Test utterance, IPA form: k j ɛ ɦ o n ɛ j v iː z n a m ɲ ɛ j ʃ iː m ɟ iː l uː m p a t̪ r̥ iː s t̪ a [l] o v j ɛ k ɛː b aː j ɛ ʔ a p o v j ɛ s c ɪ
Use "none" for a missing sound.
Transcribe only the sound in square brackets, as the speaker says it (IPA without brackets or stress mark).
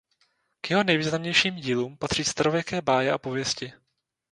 ɾ